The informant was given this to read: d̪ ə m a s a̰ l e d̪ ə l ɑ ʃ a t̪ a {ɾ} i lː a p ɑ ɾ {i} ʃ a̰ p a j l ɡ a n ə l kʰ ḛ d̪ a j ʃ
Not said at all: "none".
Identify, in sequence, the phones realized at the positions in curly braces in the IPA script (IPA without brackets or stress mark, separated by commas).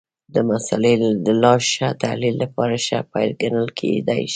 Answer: l, a